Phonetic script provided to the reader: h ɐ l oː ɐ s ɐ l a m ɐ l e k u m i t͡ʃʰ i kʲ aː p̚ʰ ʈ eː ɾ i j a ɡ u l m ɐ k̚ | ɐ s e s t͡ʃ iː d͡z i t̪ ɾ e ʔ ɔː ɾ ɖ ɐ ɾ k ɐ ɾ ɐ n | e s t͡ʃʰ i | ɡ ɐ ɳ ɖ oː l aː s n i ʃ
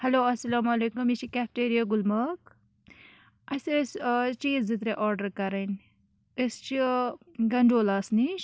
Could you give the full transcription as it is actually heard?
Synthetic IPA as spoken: h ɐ l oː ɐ s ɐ l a m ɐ l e k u m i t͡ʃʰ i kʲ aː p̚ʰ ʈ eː ɾ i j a ɡ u l m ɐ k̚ | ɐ s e s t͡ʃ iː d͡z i t̪ ɾ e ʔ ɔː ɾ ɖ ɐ ɾ k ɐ ɾ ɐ n | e s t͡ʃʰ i | ɡ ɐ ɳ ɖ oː l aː s n i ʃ